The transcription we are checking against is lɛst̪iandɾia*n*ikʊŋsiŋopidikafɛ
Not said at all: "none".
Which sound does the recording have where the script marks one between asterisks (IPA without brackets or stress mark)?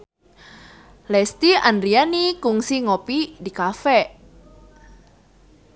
n